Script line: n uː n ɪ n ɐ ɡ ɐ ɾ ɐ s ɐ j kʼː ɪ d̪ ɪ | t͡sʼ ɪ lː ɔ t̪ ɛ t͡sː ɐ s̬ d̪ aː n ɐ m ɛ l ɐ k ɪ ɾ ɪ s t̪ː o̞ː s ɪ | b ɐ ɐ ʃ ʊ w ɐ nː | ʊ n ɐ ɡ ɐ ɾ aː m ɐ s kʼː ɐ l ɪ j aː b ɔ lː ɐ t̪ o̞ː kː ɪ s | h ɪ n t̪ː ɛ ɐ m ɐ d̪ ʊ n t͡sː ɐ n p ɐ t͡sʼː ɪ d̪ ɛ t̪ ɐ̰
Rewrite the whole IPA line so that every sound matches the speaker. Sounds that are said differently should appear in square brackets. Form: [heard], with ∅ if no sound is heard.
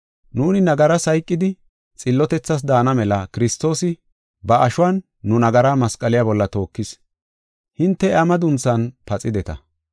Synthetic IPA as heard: n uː n ɪ n ɐ ɡ ɐ ɾ ɐ s ɐ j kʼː ɪ d̪ ɪ | t͡sʼ ɪ lː ɔ t̪ ɛ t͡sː ɐ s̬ d̪ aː n ɐ m ɛ l ɐ k ɪ ɾ ɪ s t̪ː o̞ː s ɪ | b ɐ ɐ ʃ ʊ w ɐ nː | ʊ n ɐ ɡ ɐ ɾ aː m ɐ s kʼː ɐ l ɪ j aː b ɔ lː ɐ t̪ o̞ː kː ɪ s | h ɪ n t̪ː ɛ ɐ m ɐ d̪ ʊ n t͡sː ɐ n p ɐ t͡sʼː ɪ d̪ ɛ t̪ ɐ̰